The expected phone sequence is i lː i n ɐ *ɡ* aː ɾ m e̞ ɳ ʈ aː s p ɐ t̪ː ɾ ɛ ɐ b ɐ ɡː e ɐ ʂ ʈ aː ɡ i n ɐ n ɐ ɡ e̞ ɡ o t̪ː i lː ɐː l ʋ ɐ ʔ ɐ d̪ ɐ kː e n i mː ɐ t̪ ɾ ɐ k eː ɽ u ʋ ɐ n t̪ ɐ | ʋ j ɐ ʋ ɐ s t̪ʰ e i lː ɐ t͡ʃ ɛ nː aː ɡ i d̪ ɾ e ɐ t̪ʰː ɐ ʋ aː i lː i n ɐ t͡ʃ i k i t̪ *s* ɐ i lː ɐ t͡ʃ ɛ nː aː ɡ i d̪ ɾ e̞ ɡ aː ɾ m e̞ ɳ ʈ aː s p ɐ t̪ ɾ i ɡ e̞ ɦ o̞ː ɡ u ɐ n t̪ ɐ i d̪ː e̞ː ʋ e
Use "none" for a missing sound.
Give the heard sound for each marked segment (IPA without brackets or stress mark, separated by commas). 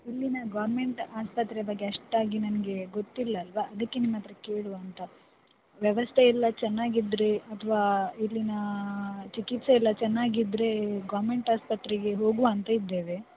ɡ, s